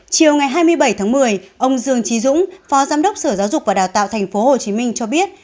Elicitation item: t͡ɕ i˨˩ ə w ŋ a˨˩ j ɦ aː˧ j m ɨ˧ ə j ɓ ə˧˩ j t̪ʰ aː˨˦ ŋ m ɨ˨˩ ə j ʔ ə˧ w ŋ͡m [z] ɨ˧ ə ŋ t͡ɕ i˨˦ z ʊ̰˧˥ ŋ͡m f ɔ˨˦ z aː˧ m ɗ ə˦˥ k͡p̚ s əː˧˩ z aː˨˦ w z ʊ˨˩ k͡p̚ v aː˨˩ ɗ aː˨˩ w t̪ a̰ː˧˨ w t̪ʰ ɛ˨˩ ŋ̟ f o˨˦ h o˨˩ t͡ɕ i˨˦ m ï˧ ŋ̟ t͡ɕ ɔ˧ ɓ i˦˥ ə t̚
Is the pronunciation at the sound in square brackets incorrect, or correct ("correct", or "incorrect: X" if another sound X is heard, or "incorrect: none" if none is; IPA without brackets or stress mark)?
correct